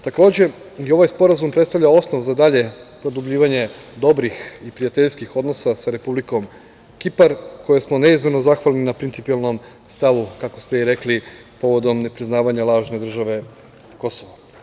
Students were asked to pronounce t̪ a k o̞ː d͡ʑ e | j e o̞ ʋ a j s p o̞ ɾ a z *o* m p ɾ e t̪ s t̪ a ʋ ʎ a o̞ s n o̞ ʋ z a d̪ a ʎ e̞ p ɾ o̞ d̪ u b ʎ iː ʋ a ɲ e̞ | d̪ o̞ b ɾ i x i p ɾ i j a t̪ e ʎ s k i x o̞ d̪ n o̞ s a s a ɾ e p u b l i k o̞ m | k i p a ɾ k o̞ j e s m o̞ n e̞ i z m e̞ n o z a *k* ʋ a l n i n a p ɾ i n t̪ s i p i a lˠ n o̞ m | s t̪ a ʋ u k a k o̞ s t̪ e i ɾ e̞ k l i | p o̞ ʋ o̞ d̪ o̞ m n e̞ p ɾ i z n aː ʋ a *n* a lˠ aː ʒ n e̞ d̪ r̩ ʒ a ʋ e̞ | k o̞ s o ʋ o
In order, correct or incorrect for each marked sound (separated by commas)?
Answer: incorrect, incorrect, incorrect